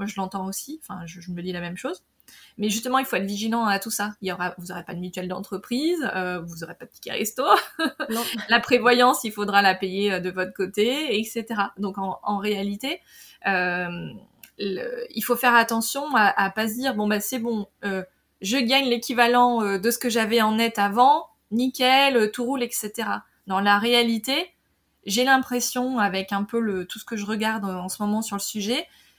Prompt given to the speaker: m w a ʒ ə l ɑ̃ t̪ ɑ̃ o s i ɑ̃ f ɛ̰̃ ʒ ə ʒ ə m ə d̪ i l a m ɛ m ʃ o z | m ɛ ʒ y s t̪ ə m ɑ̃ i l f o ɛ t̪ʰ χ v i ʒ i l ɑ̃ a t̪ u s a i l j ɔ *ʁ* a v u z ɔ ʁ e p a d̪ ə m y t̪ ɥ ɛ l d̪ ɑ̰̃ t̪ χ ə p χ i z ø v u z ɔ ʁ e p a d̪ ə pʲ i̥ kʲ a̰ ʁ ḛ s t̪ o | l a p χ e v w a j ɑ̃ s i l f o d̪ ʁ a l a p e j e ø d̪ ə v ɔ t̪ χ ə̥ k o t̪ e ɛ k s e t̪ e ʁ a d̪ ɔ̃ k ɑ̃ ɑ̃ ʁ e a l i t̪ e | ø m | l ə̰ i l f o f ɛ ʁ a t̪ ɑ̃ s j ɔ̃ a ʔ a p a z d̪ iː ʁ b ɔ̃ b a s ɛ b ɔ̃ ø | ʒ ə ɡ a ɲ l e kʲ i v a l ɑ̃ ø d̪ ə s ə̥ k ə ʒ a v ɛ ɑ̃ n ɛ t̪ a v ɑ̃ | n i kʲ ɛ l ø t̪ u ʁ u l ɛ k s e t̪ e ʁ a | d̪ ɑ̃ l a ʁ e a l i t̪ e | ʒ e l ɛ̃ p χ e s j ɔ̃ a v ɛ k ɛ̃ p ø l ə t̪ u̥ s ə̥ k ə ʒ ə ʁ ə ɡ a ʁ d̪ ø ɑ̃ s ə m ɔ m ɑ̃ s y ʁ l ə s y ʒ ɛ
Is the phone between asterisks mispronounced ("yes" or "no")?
no